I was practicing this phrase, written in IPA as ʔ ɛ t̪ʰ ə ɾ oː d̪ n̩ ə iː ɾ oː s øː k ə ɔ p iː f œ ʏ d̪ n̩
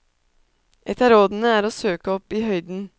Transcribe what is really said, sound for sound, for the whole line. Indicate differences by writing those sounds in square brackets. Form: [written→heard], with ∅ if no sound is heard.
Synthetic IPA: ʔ ɛ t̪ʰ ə ɾ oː d̪ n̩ ə [iː→æː] ɾ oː s øː k ə ɔ p iː [f→h] œ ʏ d̪ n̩